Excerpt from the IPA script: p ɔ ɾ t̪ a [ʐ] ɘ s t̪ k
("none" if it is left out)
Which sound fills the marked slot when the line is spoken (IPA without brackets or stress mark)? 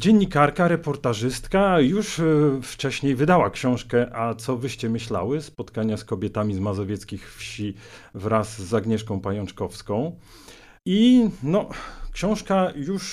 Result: ʐ